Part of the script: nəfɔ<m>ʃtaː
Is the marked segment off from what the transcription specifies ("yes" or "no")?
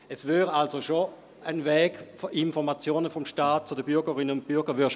no